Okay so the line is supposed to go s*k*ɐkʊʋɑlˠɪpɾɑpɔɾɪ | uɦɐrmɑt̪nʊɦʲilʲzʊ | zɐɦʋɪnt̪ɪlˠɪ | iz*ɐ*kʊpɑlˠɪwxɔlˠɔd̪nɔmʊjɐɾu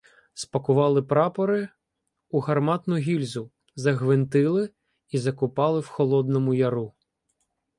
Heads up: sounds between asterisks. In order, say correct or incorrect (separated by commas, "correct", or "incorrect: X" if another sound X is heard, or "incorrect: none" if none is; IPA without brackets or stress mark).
incorrect: p, correct